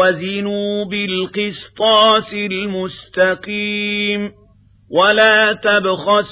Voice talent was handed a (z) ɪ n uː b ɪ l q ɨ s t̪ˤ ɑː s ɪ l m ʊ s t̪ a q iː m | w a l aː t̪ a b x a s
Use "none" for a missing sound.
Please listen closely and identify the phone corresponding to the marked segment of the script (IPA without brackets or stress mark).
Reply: z